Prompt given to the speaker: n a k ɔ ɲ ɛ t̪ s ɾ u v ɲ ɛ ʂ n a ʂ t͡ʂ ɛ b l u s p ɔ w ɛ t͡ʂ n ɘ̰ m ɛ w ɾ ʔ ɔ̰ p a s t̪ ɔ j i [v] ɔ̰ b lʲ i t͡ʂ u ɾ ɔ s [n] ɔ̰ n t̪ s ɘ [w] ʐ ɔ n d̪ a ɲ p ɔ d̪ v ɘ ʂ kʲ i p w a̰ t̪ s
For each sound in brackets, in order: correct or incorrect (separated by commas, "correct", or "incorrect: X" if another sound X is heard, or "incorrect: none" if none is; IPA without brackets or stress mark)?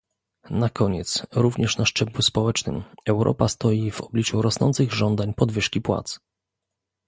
correct, correct, incorrect: ɣ